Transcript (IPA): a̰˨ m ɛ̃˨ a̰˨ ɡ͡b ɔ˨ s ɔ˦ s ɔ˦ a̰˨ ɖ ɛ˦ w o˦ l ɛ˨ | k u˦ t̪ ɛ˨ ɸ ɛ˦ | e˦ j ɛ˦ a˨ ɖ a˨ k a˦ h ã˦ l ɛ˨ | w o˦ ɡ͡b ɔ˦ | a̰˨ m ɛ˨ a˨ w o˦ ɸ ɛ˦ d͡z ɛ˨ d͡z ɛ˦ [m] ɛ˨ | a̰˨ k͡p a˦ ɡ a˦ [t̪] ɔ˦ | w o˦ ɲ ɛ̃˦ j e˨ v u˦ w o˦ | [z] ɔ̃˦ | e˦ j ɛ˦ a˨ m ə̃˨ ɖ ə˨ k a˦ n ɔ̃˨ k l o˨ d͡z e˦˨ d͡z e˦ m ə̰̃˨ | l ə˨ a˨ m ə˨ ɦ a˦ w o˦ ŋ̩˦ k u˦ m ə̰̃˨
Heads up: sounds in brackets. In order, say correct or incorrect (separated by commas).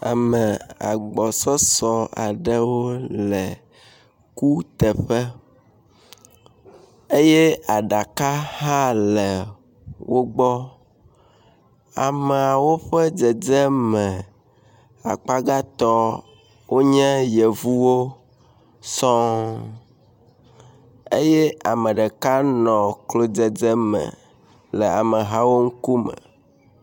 correct, correct, incorrect